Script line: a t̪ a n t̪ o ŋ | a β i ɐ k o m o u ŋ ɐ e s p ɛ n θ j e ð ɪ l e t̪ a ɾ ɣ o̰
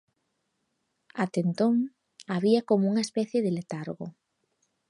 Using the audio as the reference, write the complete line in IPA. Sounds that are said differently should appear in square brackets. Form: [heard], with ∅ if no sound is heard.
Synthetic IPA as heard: a t̪ [e] n t̪ o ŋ | a β i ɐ k o m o u ŋ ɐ e s p ɛ [∅] θ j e ð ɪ l e t̪ a ɾ ɣ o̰

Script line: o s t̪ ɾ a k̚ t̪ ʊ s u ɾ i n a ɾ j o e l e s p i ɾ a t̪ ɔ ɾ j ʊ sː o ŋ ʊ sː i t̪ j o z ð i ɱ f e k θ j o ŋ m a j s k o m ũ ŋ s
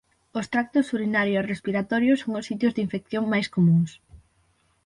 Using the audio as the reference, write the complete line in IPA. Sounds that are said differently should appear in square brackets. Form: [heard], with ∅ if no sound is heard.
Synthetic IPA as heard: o s t̪ ɾ a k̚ t̪ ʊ s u ɾ i n a ɾ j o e [r] e s p i ɾ a t̪ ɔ ɾ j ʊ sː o ŋ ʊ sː i t̪ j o z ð i ɱ f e k θ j o ŋ m a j s k o m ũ ŋ s

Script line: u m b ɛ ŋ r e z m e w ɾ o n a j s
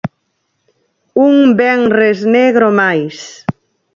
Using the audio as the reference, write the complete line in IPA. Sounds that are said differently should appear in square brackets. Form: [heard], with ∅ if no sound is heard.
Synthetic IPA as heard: u [ŋ] b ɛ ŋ r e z [n] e [ɣ] ɾ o [m] a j s

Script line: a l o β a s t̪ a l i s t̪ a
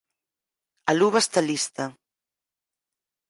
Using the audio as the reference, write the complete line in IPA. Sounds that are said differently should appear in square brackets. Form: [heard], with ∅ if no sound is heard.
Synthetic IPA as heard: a l [u] β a s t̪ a l i s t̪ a

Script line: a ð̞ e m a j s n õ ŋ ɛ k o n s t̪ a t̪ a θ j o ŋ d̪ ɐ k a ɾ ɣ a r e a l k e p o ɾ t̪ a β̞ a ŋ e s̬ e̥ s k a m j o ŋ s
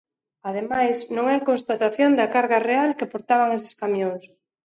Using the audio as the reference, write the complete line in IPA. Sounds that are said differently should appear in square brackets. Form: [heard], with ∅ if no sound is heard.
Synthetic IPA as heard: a ð̞ e m a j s n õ ŋ ɛ k o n s t̪ a t̪ a θ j o [n] d̪ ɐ k a ɾ ɣ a r e a l k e p o ɾ t̪ a β̞ a ŋ e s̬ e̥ s k a m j o ŋ s

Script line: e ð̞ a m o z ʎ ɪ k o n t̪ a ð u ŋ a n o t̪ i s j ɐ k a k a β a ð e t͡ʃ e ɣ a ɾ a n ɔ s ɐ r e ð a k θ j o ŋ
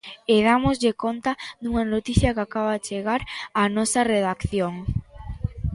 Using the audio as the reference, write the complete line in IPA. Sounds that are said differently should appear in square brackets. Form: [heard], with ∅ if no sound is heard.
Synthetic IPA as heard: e ð̞ a m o z ʎ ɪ k o n t̪ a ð u ŋ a n o t̪ i [θ] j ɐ k a k a β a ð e t͡ʃ e ɣ a ɾ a n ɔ s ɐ r e ð a k θ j o ŋ

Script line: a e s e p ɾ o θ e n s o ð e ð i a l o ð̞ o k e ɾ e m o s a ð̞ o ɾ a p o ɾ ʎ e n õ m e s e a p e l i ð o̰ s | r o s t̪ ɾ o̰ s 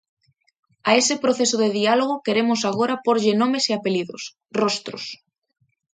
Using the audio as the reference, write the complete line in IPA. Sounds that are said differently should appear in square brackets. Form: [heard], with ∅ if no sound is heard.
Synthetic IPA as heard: a e s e p ɾ o θ e [∅] s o ð e ð i a l o [ɣ̞] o k e ɾ e m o s a [ɣ̞] o ɾ a p o ɾ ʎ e n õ m e s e a p e l i ð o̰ s | r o s t̪ ɾ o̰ s

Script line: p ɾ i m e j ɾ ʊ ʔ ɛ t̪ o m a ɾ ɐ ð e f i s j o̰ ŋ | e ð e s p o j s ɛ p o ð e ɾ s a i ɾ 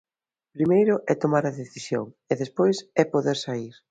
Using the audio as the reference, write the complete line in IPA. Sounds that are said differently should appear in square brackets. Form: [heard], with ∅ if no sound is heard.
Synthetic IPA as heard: p ɾ i m e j ɾ ʊ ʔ ɛ t̪ o m a ɾ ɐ ð e [θ] i s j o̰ ŋ | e ð e s p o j s ɛ p o ð e ɾ s a i ɾ

